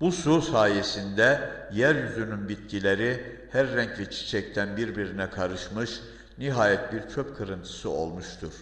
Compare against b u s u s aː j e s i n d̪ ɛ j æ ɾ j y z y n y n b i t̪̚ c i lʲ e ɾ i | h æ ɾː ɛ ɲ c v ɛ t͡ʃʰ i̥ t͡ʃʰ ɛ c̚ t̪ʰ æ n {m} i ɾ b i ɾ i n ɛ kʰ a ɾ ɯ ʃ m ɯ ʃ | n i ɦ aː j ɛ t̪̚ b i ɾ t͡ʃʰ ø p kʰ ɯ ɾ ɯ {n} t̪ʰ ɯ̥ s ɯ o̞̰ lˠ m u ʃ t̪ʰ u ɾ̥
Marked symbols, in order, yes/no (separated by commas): no, yes